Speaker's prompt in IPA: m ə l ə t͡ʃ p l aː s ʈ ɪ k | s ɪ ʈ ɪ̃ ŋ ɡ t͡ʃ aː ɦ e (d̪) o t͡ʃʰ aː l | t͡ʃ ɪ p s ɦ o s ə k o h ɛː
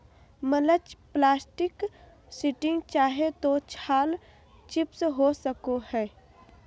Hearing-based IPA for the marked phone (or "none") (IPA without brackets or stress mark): t̪